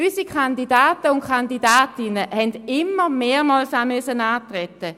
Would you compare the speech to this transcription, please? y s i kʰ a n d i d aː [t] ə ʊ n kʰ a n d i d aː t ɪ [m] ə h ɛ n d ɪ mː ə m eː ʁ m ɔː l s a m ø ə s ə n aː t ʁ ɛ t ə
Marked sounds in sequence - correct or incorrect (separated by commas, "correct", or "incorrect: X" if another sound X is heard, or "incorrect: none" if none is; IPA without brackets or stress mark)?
correct, incorrect: n